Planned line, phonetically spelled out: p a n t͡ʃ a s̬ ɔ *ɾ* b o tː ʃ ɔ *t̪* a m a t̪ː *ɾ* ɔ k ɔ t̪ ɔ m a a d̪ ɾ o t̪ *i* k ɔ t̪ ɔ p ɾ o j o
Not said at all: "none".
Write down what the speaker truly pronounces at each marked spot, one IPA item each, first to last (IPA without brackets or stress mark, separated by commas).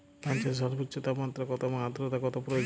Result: ɾ, t̪, ɾ, a